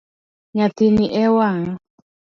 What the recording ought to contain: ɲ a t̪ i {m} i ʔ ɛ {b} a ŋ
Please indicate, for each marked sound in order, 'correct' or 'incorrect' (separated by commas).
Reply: incorrect, incorrect